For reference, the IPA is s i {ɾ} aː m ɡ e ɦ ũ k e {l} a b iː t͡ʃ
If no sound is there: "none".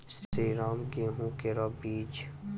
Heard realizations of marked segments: ɾ, ɾ

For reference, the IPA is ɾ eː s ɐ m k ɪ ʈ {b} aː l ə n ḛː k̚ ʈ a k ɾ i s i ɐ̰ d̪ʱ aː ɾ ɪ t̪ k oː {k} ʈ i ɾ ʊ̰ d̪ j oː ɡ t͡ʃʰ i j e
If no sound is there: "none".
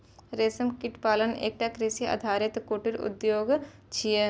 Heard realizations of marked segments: p, none

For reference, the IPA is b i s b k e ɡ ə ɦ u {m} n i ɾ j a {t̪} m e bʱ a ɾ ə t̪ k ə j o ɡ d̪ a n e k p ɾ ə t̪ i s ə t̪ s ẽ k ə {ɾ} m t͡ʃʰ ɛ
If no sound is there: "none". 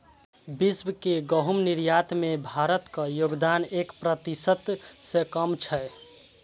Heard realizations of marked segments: m, t̪, none

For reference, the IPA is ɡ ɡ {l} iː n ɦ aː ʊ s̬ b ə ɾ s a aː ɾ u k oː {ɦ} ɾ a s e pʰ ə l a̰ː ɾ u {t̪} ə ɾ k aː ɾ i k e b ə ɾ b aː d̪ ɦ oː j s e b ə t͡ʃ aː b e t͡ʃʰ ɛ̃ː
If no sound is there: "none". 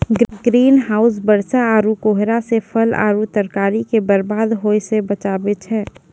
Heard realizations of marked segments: ɾ, ɦ, t̪

